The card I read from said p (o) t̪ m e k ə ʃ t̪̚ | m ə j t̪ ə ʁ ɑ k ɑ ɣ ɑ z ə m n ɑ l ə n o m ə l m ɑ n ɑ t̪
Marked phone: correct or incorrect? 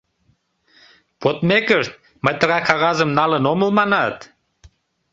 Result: correct